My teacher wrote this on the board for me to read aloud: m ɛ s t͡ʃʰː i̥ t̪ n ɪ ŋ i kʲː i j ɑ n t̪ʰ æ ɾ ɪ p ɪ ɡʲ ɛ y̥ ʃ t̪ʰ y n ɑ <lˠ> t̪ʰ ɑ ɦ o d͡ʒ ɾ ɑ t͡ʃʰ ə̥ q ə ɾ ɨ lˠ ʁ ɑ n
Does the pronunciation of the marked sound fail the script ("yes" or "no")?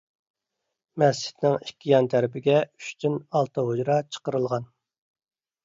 no